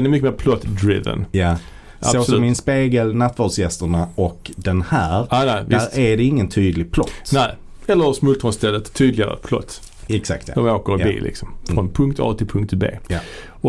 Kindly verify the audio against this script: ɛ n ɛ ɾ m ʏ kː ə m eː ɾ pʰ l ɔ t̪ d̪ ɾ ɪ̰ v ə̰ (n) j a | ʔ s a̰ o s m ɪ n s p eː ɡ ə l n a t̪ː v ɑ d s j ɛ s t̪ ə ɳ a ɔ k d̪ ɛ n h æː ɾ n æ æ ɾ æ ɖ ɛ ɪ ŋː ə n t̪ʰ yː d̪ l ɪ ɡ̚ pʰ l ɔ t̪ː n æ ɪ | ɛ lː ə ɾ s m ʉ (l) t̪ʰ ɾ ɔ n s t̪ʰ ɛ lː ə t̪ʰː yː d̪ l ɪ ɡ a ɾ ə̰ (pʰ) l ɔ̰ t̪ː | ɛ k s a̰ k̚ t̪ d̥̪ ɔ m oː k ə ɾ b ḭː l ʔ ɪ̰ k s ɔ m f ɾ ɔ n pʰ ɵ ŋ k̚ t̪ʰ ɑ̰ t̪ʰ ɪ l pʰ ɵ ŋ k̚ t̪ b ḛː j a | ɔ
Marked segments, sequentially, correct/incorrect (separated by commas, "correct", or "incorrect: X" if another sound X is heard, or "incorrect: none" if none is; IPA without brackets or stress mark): correct, correct, correct